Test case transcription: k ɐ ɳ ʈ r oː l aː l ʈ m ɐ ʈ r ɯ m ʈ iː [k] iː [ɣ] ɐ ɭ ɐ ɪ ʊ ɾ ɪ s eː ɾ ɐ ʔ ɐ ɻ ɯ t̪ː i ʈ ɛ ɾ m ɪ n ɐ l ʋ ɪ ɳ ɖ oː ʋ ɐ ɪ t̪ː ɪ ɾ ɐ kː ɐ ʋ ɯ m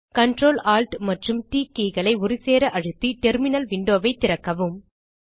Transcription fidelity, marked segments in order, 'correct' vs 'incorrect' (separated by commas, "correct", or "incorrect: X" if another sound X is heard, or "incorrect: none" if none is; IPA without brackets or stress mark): correct, correct